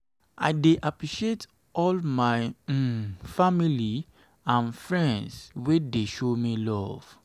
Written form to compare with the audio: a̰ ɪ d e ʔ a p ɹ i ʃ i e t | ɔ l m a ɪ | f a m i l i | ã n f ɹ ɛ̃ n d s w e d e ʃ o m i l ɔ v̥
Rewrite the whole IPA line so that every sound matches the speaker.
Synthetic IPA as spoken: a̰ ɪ d e ʔ a p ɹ i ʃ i e t | ɔ l m a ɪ | f a m i l i | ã n f ɹ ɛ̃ n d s w e d e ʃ o m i l ɔ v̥